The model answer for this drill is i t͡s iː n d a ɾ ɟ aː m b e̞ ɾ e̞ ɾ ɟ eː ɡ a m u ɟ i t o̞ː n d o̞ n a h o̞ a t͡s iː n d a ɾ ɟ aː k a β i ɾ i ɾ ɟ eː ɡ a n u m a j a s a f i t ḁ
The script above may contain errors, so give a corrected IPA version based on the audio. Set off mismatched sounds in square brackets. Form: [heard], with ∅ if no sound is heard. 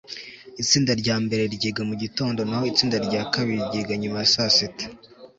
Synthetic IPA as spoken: i t͡s iː n d a ɾ ɟ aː m b e̞ ɾ e̞ ɾ ɟ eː ɡ a m u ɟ i t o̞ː n d o̞ n a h o̞ [i] t͡s iː n d a ɾ ɟ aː k a β i ɾ i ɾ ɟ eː ɡ a [ɲ] u m a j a s a [s] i t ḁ